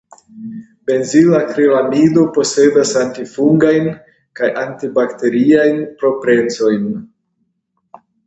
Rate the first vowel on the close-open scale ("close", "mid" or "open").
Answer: mid